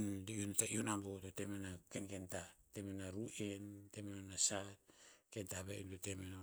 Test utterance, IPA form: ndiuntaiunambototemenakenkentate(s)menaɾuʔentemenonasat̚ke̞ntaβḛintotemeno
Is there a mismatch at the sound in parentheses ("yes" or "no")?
yes